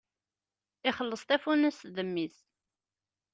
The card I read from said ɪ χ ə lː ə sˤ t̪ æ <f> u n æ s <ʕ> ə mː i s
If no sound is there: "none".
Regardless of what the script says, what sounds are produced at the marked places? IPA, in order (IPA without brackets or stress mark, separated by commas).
f, ð